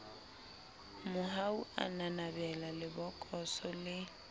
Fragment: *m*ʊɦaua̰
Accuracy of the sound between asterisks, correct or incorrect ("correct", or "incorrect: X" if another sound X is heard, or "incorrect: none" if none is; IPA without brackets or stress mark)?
correct